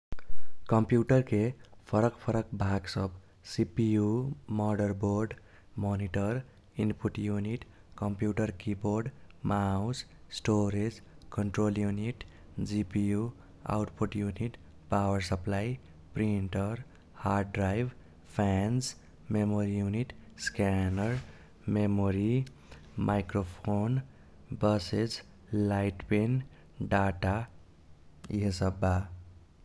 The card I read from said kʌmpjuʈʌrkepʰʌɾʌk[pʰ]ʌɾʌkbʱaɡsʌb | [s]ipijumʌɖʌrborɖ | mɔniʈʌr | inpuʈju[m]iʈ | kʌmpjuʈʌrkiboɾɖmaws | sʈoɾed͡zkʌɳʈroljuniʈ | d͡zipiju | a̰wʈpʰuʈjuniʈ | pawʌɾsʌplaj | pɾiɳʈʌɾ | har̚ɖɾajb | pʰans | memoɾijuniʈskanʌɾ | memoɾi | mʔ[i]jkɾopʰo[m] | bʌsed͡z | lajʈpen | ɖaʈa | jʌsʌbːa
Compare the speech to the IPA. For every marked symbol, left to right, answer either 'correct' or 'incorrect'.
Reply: correct, correct, incorrect: n, incorrect: a, incorrect: n

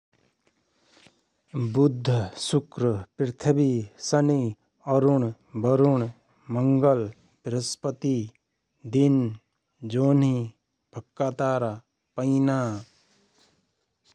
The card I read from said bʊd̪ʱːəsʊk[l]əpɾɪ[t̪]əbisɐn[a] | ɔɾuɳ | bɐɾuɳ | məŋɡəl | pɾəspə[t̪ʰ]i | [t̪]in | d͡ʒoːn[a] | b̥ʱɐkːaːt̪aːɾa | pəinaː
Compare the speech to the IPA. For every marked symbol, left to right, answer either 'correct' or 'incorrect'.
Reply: incorrect: ɾ, incorrect: t̪ʰ, incorrect: i, incorrect: t̪, incorrect: d̪, incorrect: i

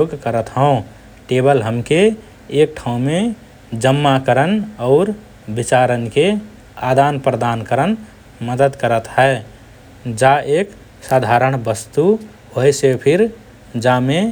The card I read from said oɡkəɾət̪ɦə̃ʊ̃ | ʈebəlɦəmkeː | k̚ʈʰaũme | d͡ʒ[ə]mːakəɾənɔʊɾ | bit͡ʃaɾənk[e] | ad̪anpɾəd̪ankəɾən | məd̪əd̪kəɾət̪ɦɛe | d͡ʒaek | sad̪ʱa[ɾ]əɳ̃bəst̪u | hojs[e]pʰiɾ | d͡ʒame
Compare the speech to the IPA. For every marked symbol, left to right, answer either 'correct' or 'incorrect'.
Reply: correct, correct, correct, correct

